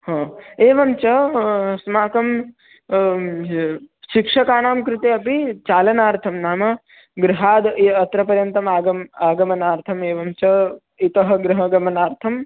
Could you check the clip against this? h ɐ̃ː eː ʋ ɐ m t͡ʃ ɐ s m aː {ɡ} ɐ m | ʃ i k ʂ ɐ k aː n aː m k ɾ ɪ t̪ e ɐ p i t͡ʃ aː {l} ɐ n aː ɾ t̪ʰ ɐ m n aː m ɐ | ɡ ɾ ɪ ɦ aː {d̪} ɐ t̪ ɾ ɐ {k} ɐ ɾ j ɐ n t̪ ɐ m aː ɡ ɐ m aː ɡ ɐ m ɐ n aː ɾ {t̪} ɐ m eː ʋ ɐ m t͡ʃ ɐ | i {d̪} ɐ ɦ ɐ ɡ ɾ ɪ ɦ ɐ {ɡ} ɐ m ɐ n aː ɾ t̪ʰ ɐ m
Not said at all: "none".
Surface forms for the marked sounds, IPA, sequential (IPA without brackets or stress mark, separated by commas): k, l, d̪, p, t̪ʰ, t̪, ɡ